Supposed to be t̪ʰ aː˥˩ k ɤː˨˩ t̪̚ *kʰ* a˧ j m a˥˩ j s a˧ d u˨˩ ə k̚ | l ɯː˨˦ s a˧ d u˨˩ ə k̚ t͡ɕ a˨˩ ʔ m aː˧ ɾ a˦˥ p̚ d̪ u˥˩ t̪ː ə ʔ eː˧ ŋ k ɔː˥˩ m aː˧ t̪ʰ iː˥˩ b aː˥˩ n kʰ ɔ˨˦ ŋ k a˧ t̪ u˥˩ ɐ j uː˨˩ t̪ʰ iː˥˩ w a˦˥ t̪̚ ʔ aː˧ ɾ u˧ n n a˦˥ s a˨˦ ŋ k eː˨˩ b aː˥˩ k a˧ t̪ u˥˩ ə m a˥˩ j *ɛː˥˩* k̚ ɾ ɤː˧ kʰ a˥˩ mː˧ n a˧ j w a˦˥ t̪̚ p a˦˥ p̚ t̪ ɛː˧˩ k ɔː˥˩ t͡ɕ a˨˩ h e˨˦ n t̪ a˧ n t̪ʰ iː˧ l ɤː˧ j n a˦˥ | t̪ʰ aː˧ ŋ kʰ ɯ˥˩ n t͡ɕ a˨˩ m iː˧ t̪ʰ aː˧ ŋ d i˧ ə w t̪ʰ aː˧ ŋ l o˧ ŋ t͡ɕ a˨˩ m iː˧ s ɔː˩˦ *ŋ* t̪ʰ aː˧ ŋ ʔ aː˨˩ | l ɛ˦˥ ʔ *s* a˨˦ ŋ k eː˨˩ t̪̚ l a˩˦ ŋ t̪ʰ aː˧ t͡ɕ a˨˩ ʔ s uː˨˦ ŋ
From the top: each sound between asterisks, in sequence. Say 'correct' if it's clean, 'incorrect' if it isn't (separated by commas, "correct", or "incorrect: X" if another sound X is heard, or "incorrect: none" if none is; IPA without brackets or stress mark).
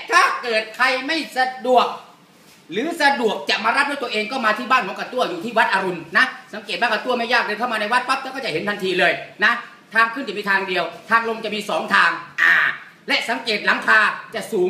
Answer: correct, incorrect: aː˥˩, correct, correct